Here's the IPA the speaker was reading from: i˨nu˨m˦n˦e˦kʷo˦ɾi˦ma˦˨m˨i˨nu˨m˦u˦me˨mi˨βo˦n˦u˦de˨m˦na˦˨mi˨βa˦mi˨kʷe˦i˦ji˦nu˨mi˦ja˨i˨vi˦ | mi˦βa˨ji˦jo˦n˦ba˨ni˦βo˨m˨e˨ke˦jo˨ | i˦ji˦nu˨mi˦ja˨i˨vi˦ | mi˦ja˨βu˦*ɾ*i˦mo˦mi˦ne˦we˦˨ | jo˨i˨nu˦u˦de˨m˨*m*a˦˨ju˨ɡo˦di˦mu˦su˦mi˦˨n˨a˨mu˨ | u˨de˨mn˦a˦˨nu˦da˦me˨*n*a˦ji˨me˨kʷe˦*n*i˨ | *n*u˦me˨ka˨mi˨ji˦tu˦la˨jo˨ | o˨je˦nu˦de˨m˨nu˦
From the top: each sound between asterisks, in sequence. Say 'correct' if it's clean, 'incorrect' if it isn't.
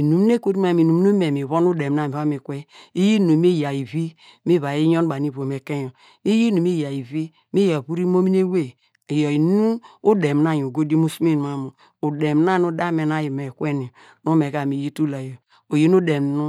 correct, incorrect: n, correct, correct, correct

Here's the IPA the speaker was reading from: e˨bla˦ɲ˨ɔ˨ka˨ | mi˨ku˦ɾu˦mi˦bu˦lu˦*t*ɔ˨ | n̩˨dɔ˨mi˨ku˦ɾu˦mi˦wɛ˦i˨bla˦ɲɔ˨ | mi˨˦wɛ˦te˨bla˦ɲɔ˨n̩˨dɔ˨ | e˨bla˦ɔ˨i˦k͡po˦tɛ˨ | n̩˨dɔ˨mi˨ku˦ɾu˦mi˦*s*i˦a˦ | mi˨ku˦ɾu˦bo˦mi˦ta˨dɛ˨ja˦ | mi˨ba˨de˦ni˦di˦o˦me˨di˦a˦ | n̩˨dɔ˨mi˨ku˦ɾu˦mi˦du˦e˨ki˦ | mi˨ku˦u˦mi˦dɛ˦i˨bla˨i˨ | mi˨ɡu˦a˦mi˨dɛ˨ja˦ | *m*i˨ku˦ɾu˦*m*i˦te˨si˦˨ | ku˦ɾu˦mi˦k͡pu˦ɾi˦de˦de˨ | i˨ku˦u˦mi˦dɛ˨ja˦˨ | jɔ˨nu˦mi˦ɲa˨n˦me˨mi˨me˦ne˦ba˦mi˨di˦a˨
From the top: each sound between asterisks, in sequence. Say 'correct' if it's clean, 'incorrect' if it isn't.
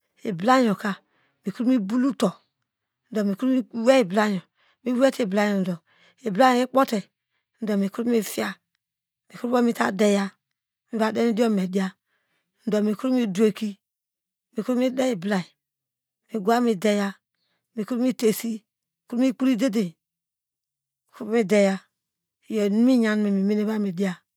correct, incorrect: f, correct, correct

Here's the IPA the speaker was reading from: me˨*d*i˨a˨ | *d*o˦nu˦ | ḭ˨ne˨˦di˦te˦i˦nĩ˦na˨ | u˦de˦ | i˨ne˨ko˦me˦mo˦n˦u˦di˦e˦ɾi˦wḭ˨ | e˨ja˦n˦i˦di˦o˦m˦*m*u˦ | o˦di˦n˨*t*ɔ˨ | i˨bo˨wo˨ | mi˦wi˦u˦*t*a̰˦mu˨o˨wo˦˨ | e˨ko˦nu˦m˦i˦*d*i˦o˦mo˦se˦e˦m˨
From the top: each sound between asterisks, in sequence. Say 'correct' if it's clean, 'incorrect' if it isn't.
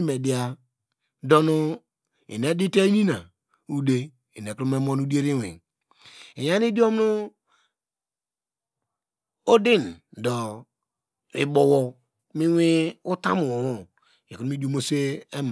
correct, correct, incorrect: n, incorrect: d, correct, correct

